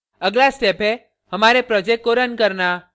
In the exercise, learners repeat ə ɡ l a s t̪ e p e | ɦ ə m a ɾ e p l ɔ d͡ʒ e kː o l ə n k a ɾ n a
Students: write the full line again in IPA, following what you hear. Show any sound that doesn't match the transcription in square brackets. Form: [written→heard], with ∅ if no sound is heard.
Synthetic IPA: ə ɡ l a s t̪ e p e | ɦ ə m a ɾ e p [l→ɾ] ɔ d͡ʒ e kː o [l→ɾ] ə n k [a→ə] ɾ n a